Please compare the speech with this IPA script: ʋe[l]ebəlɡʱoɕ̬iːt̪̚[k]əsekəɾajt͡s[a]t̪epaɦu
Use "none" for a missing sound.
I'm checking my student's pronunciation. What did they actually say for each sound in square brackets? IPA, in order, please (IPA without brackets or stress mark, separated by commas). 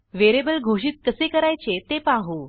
ɾ, k, e